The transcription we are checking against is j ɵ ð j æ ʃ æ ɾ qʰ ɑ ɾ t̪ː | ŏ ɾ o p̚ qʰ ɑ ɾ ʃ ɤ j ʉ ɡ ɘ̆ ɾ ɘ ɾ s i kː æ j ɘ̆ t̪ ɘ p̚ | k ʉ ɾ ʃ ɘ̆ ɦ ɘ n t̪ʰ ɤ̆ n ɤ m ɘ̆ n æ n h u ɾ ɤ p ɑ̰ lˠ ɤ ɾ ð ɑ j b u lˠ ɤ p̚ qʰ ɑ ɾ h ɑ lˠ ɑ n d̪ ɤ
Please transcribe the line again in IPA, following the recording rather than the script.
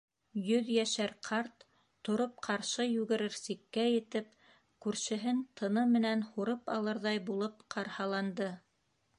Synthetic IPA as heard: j ɵ ð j æ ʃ æ ɾ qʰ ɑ ɾ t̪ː | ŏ ɾ o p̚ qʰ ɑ ɾ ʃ ɤ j ʉ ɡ ɘ̆ ɾ ɘ ɾ s i kː æ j ɘ̆ t̪ ɘ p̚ | k ʉ ɾ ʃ ɘ̆ ɦ ɘ n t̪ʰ ɤ̆ n ɤ m ɘ̆ n æ n h u ɾ ɤ p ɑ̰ lˠ ɤ ɾ ð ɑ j b u lˠ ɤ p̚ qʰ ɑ ɾ h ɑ lˠ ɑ n d̪ ɤ

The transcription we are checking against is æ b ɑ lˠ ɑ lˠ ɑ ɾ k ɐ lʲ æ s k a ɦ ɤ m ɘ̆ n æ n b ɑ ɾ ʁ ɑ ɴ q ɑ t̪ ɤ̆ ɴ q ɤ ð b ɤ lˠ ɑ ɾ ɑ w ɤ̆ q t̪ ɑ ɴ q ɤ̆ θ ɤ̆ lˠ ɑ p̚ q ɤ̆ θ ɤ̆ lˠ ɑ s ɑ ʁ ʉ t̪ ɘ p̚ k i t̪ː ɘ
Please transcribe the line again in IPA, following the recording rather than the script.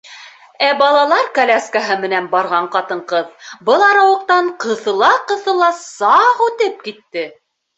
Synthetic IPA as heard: æ b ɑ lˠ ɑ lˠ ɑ ɾ k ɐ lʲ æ s k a ɦ ɤ m ɘ̆ n æ n b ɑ ɾ ʁ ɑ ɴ q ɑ t̪ ɤ̆ ɴ q ɤ ð b ɤ lˠ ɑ ɾ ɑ w ɤ̆ q t̪ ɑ ɴ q ɤ̆ θ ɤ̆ lˠ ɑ q ɤ̆ θ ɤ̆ lˠ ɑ s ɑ ʁ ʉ t̪ ɘ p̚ k i t̪ː ɘ

